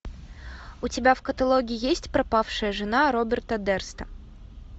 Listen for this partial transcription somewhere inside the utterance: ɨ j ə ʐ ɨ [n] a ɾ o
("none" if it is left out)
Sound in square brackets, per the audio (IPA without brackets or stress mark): n